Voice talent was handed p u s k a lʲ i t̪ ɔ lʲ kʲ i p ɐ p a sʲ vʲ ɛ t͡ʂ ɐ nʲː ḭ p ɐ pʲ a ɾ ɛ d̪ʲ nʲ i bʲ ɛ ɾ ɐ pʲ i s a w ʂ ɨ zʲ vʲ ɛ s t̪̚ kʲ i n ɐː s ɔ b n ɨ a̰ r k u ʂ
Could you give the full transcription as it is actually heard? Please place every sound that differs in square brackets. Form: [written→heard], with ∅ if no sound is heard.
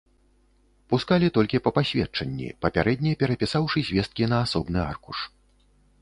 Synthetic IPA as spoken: p u s k a lʲ i t̪ ɔ lʲ kʲ i p ɐ p a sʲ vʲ ɛ t͡ʂ ɐ nʲː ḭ p ɐ pʲ a ɾ ɛ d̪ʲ nʲ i [bʲ→pʲ] ɛ ɾ ɐ pʲ i s a w ʂ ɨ zʲ vʲ ɛ s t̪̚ kʲ i n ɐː s ɔ b n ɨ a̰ r k u ʂ